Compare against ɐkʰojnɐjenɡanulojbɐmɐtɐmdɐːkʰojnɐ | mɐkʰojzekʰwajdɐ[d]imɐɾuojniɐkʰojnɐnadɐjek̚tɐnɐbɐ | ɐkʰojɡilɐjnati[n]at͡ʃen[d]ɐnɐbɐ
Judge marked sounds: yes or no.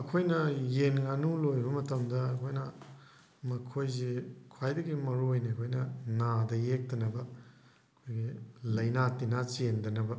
no, yes, yes

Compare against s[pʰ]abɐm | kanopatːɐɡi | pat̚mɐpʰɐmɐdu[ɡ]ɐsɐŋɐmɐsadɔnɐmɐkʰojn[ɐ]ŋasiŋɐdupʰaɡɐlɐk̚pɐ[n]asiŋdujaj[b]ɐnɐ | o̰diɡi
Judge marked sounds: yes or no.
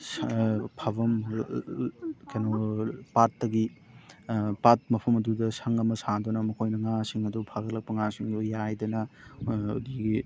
yes, no, yes, no, no

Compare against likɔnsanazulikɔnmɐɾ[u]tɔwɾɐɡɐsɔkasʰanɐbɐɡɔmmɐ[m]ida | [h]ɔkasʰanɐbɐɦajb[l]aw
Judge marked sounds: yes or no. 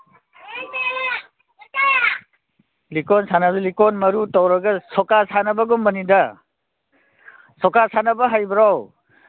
yes, no, no, no

